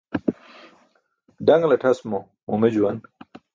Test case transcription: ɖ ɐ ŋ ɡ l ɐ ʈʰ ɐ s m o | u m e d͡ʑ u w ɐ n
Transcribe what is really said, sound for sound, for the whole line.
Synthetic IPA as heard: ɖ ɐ ŋ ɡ l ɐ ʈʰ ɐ s m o | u m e d͡ʑ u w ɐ n